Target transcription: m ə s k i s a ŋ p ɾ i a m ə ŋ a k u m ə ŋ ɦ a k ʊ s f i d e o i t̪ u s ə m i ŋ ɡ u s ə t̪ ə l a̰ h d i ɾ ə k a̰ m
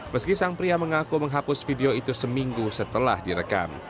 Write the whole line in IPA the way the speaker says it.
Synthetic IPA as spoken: m ə s k i s a ŋ p ɾ i a m ə ŋ a k u m ə ŋ ɦ a p ʊ s f i d e o i t̪ u s ə m i ŋ ɡ u s ə t̪ ə l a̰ h d i ɾ ə k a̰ m